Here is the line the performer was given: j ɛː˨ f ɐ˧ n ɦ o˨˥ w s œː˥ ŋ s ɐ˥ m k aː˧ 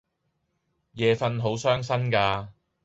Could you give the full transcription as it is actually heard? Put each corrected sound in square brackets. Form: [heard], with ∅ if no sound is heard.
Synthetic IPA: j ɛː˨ f ɐ˧ n ɦ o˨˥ w s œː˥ ŋ s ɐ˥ [n] k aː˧